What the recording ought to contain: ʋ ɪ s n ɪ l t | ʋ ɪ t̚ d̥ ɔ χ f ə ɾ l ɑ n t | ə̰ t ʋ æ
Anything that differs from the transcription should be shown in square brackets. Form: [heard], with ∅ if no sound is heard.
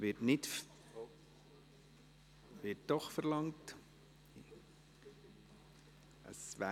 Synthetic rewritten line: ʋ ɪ [t] n ɪ [∅] t | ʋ ɪ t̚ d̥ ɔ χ f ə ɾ l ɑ [ŋ] t | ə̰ [s] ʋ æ